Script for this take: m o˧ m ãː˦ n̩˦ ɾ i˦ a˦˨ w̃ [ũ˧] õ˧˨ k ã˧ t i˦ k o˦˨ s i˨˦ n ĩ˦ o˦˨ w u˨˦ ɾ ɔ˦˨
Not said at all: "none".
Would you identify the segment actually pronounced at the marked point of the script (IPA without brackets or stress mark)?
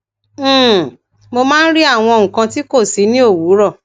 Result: ɔ̃˧